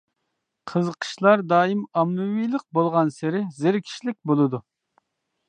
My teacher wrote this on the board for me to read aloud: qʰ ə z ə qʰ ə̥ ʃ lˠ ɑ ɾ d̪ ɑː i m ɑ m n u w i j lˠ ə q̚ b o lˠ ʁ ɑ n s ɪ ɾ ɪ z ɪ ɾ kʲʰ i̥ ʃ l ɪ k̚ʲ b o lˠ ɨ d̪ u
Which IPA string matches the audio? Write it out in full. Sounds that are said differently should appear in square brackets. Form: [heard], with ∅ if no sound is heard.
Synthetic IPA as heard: qʰ ə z ə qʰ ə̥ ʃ lˠ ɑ ɾ d̪ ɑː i m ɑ m n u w i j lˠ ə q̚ b o lˠ ʁ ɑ n s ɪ ɾ ɪ z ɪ ɾ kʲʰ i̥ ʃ l ɪ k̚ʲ b o lˠ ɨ d̪ u